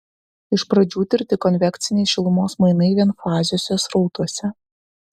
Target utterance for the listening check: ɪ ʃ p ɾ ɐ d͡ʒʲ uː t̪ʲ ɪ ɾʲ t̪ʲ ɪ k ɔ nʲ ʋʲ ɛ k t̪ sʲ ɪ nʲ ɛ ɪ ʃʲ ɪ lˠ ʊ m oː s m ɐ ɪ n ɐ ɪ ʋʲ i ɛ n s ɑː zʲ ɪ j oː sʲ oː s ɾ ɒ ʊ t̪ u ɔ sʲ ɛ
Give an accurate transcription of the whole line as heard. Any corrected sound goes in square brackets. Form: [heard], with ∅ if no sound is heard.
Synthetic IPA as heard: ɪ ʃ p ɾ ɐ d͡ʒʲ uː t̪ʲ ɪ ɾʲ t̪ʲ ɪ k ɔ nʲ ʋʲ ɛ k t̪ sʲ ɪ nʲ ɛ ɪ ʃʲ ɪ lˠ ʊ m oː s m ɐ ɪ n ɐ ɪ ʋʲ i ɛ n [f] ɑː zʲ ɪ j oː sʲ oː s ɾ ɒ ʊ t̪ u ɔ sʲ ɛ